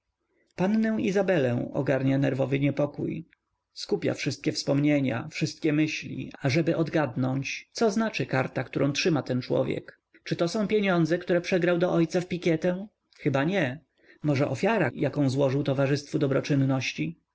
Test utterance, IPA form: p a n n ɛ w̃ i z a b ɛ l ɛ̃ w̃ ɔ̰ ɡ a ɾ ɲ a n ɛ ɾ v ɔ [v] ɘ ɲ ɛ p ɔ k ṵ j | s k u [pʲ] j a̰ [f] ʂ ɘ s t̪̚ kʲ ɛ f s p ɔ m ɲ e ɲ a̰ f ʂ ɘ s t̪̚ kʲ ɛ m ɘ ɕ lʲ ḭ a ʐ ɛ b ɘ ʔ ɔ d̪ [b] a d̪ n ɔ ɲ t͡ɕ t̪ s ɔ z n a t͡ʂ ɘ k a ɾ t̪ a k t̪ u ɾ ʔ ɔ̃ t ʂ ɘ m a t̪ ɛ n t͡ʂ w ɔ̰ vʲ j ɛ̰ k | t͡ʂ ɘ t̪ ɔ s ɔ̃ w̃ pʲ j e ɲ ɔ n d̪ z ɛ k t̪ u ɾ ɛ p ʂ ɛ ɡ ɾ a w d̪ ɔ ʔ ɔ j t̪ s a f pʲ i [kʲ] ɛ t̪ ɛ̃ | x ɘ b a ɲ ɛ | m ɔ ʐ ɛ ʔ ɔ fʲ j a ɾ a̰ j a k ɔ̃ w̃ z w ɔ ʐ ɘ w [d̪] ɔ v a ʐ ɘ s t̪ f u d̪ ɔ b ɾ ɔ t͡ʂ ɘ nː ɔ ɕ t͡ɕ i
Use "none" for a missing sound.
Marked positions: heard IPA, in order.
v, pʲ, f, ɡ, kʲ, t̪

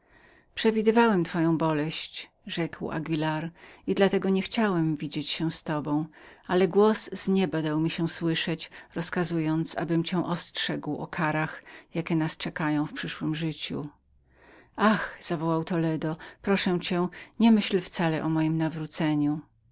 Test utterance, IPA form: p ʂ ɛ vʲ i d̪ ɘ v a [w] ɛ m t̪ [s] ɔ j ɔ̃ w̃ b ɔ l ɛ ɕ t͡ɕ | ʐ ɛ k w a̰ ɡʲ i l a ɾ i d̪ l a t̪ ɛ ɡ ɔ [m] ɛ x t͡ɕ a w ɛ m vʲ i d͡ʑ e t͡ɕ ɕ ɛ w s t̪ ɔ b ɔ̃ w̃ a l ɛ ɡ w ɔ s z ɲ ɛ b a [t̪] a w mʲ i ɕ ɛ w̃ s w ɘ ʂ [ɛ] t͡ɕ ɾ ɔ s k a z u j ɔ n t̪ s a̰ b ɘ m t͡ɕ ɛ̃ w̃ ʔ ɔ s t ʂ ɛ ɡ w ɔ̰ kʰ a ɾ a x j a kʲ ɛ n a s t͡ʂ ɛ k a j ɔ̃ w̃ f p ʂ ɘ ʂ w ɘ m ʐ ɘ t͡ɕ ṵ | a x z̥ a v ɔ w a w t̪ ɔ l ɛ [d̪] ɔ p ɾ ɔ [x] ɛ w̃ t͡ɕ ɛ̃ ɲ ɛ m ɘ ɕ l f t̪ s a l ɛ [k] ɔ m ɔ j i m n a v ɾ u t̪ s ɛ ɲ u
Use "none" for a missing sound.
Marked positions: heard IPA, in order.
w, f, ɲ, d̪, ɛ, d̪, ʂ, ʔ

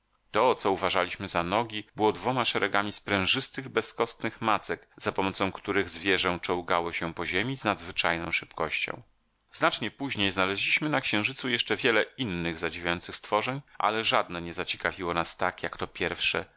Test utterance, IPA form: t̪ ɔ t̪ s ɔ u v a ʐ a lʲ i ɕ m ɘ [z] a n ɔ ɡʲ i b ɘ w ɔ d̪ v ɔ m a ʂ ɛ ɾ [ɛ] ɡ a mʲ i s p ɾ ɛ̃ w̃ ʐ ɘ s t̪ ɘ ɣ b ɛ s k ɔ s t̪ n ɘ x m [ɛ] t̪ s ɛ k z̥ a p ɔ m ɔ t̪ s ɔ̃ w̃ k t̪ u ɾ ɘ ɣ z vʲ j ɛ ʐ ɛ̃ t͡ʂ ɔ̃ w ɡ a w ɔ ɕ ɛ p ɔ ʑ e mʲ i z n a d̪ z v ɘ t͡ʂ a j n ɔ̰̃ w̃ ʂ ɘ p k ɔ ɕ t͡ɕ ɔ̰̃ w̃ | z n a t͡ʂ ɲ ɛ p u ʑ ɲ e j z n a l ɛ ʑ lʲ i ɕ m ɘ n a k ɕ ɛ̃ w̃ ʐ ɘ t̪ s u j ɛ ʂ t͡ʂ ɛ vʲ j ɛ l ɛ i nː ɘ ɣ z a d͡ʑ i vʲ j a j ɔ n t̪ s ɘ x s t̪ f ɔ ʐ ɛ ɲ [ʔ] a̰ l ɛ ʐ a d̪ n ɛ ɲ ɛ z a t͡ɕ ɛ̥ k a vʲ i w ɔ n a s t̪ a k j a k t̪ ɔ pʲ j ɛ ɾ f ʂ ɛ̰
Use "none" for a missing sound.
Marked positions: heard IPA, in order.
z, ɛ, a, ʔ

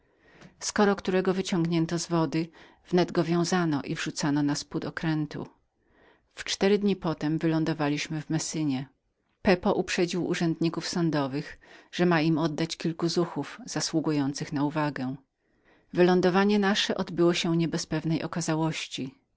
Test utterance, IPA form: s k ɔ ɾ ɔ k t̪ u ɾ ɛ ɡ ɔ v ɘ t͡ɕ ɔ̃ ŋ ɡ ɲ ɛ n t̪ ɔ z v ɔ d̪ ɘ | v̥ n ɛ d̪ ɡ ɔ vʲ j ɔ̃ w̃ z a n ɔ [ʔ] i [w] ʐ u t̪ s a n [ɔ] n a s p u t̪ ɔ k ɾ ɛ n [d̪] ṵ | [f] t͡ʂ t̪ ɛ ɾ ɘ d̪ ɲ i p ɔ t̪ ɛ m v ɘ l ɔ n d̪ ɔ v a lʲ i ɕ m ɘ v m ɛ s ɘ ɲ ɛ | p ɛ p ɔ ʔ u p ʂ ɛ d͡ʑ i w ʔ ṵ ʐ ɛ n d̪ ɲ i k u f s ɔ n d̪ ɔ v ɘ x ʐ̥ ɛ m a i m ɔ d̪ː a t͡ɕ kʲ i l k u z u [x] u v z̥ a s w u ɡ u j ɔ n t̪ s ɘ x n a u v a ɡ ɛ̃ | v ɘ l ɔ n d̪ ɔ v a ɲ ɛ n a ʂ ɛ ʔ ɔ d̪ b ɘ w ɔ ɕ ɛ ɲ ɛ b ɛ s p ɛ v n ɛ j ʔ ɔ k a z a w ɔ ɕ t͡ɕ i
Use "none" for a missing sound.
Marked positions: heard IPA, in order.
ʔ, v, ɔ, t̪, f, x

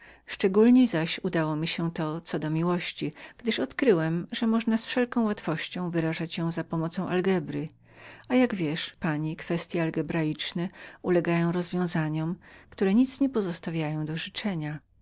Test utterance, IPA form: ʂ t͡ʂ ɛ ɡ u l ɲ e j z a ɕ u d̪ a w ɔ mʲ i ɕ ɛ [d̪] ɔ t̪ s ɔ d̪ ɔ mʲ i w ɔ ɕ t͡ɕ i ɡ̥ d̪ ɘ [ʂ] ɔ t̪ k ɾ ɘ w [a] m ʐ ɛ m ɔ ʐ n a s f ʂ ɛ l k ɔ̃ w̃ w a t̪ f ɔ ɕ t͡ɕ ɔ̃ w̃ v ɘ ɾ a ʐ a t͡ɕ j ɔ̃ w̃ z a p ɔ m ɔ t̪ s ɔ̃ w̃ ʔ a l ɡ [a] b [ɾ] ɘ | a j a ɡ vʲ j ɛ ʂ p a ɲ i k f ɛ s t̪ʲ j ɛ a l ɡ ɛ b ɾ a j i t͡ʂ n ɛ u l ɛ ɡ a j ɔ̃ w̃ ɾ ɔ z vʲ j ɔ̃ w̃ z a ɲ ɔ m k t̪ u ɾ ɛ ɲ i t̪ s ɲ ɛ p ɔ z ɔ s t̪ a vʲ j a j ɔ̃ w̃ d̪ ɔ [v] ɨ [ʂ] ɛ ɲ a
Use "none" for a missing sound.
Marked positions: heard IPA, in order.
t̪, ʂ, ɛ, ɛ, ɾ, ʐ, t͡ʂ

